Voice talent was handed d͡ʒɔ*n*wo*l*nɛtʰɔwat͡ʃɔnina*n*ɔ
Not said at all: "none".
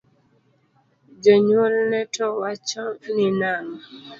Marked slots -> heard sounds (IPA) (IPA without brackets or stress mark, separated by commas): ɲ, l, ŋ